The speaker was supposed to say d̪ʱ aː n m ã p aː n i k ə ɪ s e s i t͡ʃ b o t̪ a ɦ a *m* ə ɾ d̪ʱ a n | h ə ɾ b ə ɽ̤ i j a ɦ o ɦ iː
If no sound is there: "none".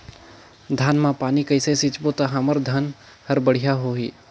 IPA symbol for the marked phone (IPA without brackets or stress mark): m